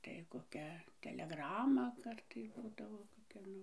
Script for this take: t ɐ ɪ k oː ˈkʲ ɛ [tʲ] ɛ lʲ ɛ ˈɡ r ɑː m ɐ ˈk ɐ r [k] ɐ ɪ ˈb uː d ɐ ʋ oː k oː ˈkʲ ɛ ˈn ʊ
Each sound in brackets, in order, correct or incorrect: correct, incorrect

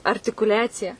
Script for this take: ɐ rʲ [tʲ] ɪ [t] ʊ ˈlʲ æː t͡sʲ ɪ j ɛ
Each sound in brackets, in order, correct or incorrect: correct, incorrect

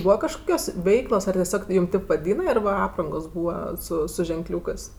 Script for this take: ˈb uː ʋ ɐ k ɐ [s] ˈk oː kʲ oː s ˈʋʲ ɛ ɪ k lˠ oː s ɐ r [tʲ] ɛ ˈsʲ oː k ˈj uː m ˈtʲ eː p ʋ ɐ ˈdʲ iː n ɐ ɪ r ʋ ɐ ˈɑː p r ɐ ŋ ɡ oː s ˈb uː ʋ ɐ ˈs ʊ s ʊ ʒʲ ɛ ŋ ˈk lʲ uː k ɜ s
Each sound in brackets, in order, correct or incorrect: incorrect, correct

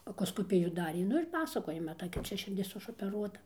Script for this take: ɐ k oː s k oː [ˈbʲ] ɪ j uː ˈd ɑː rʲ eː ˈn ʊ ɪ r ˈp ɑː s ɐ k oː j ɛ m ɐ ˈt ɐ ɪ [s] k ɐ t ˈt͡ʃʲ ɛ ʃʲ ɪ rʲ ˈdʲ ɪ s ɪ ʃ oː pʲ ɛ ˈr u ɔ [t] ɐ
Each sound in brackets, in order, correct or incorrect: incorrect, incorrect, correct

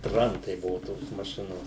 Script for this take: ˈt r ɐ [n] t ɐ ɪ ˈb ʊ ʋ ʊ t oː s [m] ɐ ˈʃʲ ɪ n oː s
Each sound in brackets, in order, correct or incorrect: correct, correct

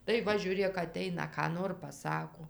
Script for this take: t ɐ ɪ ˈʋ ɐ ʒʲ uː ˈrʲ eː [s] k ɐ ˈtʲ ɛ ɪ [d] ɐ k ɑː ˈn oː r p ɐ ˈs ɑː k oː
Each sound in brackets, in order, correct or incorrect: incorrect, incorrect

